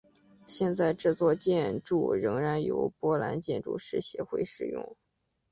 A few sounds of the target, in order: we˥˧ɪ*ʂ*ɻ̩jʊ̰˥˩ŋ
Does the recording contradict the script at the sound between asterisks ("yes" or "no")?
no